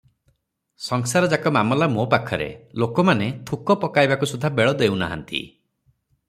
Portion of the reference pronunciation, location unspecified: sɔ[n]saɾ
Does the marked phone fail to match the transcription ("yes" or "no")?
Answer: yes